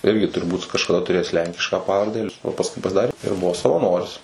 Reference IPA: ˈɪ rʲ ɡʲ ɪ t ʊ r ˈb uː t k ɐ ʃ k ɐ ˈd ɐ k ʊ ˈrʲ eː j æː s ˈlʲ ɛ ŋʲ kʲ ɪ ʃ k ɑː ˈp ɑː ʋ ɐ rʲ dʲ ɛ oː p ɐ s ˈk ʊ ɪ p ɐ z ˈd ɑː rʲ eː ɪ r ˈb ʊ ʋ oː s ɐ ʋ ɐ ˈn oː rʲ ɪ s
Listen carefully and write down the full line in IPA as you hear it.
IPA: ˈɪ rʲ ɡʲ ɪ t ʊ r ˈb uː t k ɐ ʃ k ɐ ˈd ɐ t ʊ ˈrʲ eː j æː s ˈlʲ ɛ ŋʲ kʲ ɪ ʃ k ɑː ˈp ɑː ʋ ɐ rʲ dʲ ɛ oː p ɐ s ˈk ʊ ɪ p ɐ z ˈd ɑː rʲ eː ɪ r ˈb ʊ ʋ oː s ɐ ʋ ɐ ˈn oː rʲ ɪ s